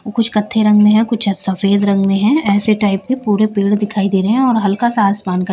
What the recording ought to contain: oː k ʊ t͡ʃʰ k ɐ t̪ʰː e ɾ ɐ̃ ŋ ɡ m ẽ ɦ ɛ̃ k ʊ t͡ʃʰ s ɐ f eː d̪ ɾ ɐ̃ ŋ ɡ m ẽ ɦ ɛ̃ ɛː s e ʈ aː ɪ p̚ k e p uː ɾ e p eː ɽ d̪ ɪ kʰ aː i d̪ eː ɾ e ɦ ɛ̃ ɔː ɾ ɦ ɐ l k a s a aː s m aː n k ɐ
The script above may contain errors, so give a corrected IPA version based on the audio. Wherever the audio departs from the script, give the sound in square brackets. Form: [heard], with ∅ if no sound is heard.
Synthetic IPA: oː k ʊ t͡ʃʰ k ɐ t̪ʰː e ɾ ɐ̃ ŋ ɡ m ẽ ɦ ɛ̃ k ʊ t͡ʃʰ s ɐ f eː d̪ ɾ ɐ̃ ŋ ɡ m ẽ ɦ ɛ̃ ɛː s e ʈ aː ɪ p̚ k e p uː ɾ e p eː ɽ d̪ ɪ kʰ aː i d̪ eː ɾ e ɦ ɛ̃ ɔː ɾ ɦ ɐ l k a s a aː s m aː n k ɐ